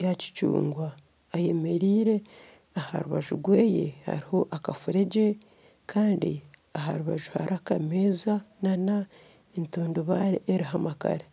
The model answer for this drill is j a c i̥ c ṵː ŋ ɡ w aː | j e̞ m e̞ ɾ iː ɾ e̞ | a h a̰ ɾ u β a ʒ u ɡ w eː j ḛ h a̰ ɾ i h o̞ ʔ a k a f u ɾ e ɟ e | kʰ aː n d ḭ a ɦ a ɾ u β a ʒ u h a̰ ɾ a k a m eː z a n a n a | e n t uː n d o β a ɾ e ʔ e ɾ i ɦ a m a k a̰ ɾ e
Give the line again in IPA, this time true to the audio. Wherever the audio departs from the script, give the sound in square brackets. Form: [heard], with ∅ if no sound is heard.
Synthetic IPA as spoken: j a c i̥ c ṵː ŋ ɡ w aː | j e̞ m e̞ ɾ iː ɾ e̞ | a h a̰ ɾ u β a ʒ u ɡ w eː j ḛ h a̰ ɾ i h o̞ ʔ a k a f u ɾ e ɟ e | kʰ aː n d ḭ a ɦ a ɾ u β a ʒ u h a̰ ɾ a k a m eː z a n a n a | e n t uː n d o β a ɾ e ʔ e ɾ i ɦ a m a k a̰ ɾ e

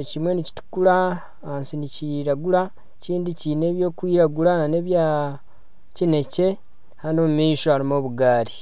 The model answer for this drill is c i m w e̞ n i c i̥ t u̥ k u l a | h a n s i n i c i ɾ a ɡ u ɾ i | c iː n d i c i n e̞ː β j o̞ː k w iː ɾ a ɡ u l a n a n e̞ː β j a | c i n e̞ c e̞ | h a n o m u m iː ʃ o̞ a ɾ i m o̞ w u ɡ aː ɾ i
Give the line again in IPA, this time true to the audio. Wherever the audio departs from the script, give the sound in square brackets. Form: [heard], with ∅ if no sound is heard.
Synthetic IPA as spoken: c i m w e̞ n i c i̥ t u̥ k u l a | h a n s i n i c i ɾ a ɡ u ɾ [a] | c iː n d i c i n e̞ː β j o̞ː k w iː ɾ a ɡ u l a n a n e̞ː β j a | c i n e̞ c e̞ | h a n o m u m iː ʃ o̞ a ɾ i m o̞ [β] u ɡ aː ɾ i

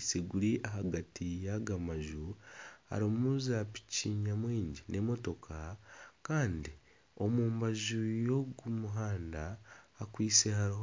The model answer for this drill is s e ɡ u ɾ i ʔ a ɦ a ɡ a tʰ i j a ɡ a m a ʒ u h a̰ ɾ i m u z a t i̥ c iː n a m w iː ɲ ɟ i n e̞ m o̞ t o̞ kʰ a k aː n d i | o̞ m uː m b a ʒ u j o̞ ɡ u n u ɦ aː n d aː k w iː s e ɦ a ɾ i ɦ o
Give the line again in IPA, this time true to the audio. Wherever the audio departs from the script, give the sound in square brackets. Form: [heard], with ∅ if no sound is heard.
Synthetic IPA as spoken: s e ɡ u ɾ i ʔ a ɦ a ɡ a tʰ i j a ɡ a m a ʒ u h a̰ ɾ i m u z a [p] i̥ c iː [ɲ] a m w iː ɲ ɟ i n e̞ m o̞ t o̞ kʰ a k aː n d i | o̞ m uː m b a ʒ u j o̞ ɡ u [m] u ɦ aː n d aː k w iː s e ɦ a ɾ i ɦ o

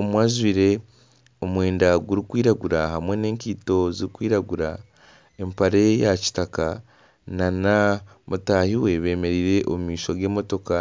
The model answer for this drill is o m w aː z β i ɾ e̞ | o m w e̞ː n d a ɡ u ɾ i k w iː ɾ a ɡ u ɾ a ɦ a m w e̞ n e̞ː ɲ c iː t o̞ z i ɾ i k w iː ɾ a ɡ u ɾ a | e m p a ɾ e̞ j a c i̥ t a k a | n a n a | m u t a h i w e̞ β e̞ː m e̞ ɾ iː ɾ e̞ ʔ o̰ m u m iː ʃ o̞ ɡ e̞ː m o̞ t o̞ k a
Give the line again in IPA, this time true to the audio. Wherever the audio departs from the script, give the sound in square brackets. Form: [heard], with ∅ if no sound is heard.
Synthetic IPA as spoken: o m w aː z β i ɾ e̞ | o m w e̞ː n d a ɡ u ɾ i k w iː ɾ a ɡ u ɾ a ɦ a m w e̞ n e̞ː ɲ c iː t o̞ z i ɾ i k w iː ɾ a ɡ u ɾ a | e m p a ɾ e̞ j a c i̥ t a k a | n a n a | m u t a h i w e̞ β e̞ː m e̞ ɾ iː ɾ e̞ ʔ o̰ m u m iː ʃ o̞ ɡ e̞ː m o̞ t o̞ k a

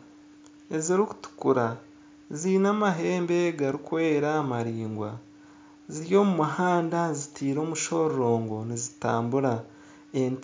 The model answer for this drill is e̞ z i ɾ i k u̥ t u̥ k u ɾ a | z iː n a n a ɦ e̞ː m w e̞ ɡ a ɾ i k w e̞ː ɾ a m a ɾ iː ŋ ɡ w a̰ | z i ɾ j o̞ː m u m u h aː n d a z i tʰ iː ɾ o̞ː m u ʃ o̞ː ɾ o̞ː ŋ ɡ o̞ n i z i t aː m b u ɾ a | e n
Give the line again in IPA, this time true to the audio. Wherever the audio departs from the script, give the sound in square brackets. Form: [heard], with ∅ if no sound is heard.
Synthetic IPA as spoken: e̞ z i ɾ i k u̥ t u̥ k u ɾ a | z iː n a [m] a ɦ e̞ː m [b] e̞ ɡ a ɾ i k w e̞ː ɾ a m a ɾ iː ŋ ɡ w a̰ | z i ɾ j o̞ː m u m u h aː n d a z i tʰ iː ɾ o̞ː m u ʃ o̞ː ɾ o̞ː ŋ ɡ o̞ n i z i t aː m b u ɾ a | e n

